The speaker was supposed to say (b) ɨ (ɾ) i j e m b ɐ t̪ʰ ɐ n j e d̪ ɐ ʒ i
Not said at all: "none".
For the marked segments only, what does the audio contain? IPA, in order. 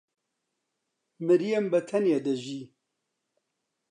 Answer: m, ɾ

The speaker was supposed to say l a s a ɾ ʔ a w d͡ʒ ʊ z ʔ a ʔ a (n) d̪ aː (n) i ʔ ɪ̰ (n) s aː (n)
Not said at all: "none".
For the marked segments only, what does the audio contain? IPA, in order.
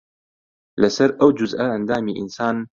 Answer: n, m, n, n

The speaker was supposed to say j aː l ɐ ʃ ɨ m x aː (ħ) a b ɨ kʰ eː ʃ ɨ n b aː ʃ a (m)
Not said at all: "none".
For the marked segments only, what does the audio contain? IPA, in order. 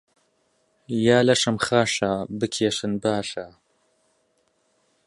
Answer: ʃ, none

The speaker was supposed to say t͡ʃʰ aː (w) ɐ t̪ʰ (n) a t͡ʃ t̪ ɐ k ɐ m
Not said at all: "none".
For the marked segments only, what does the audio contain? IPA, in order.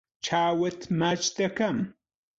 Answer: w, m

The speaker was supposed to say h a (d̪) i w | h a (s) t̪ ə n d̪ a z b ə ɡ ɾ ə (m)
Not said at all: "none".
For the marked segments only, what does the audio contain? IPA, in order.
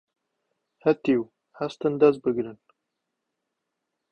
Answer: t̪, s, n

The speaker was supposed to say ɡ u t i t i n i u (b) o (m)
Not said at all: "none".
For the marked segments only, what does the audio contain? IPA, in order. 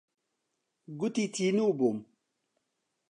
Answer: b, m

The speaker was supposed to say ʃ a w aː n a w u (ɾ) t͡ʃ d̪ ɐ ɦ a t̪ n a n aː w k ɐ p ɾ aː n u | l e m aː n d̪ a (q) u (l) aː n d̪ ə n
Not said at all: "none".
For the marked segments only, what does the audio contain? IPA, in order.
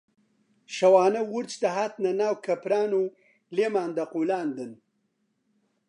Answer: ɾ, q, l

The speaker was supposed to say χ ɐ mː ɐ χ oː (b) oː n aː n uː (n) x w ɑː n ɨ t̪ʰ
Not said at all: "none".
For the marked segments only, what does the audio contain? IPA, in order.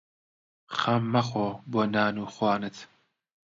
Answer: b, none

